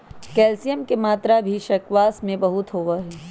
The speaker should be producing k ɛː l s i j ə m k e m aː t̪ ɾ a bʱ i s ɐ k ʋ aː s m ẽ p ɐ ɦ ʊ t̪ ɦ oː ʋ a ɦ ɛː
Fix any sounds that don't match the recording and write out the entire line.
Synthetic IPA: k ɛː l s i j ə m k e m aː t̪ ɾ a bʱ i ʃ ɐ k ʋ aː s m ẽ b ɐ ɦ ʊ t̪ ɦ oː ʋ a ɦ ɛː

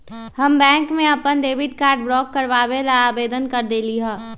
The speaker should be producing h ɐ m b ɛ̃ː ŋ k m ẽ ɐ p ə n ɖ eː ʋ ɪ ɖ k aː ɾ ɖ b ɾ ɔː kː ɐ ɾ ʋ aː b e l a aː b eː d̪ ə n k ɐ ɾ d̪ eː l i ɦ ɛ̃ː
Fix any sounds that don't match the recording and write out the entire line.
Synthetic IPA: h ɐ m b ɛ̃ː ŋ k m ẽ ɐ p ə n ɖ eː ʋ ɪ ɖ k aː ɾ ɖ b ɾ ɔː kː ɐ ɾ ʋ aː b e l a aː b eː d̪ ə n k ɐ ɾ d̪ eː l i ɦ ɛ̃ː

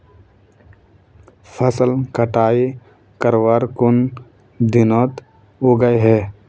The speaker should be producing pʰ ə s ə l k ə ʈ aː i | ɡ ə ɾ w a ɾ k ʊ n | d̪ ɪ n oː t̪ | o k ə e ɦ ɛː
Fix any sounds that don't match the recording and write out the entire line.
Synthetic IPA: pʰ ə s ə l k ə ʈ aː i | k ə ɾ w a ɾ k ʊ n | d̪ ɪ n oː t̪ | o ɡ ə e ɦ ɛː

